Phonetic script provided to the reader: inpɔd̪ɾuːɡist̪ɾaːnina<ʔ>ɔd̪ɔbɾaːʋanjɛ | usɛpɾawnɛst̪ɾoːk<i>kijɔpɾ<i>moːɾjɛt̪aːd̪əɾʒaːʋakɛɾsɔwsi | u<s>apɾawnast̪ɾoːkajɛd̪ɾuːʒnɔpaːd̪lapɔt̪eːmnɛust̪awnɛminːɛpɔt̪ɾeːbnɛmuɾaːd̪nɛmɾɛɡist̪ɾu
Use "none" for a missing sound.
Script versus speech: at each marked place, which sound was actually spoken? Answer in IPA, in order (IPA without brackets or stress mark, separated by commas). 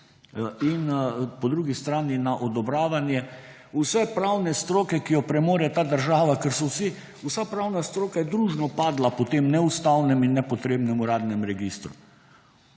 ʔ, ɛ, ɛ, s